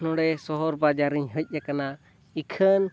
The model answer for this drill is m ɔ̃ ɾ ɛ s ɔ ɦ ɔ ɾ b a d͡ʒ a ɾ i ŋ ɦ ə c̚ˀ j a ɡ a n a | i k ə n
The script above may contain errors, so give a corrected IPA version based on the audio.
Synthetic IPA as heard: n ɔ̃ ɽ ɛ s ɔ ɦ ɔ ɾ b a d͡ʒ a ɾ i ɲ ɦ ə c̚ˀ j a k a n a | i kʰ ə n